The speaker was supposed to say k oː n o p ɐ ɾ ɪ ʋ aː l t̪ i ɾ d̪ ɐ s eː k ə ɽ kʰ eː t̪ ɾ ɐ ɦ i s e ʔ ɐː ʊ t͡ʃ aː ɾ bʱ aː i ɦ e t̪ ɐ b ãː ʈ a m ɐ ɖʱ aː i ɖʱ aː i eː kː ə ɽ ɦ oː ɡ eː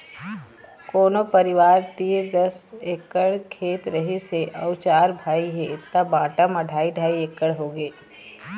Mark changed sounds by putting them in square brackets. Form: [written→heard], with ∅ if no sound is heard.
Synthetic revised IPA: k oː n o p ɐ ɾ ɪ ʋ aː [l→ɾ] t̪ [i→iː] ɾ d̪ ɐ s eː k ə ɽ kʰ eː t̪ ɾ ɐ ɦ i s e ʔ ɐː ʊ t͡ʃ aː ɾ bʱ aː i ɦ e t̪ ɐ b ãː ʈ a m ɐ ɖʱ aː i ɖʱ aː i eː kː ə ɽ ɦ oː ɡ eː